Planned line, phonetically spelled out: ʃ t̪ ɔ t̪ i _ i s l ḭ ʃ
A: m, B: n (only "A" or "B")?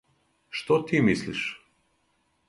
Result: A